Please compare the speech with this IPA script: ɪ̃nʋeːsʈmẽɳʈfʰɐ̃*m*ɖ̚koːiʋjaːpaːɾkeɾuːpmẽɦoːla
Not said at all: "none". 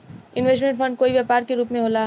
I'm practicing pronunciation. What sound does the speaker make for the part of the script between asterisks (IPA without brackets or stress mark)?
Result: ɳ